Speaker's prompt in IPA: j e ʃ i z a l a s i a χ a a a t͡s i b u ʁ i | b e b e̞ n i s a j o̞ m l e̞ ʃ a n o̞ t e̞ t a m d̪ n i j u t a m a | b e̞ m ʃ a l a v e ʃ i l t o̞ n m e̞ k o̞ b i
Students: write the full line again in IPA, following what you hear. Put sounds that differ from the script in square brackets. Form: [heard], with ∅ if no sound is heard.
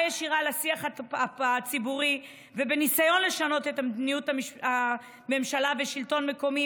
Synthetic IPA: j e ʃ i [ʁ] a l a s i a χ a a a t͡s i b u ʁ i | [v] e b e̞ n i s a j o̞ [n] l e̞ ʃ a n o̞ t e̞ t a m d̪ n i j u t a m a | [m] e̞ m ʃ a l a v e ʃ i l t o̞ n m e̞ k o̞ [m] i